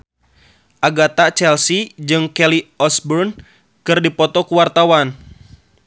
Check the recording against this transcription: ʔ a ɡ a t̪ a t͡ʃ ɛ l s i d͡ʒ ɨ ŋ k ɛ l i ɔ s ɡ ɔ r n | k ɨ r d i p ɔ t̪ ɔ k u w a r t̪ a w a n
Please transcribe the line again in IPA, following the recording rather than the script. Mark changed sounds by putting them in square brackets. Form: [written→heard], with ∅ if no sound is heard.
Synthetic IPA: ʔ a ɡ a t̪ a t͡ʃ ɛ l s i d͡ʒ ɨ ŋ k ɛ l i ɔ s [ɡ→b] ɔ r n | k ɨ r d i p ɔ t̪ ɔ k u w a r t̪ a w a n